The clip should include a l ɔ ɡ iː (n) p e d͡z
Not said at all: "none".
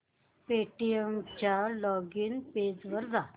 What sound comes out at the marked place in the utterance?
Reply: n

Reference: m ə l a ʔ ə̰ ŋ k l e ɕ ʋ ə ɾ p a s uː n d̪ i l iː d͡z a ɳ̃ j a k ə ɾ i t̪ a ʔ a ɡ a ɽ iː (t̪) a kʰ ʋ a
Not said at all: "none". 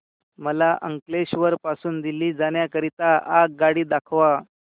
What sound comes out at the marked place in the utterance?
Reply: d̪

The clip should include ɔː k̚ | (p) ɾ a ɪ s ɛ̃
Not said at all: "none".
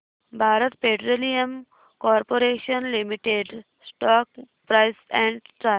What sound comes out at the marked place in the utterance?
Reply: p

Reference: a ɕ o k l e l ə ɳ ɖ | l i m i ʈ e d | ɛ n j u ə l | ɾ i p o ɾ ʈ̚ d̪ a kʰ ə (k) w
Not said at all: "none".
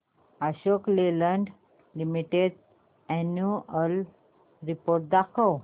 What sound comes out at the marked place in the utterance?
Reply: none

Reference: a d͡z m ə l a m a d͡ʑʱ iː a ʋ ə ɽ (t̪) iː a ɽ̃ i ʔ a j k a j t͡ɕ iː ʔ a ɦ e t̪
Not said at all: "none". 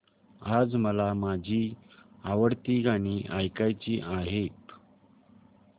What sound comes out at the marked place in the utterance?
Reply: t̪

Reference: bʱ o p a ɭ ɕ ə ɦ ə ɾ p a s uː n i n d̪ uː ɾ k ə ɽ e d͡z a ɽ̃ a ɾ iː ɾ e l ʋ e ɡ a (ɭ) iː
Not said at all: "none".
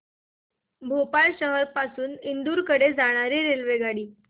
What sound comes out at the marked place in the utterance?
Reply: ɽ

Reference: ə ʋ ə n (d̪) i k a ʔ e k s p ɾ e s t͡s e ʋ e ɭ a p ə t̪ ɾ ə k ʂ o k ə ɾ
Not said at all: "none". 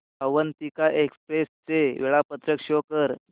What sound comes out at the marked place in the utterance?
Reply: t̪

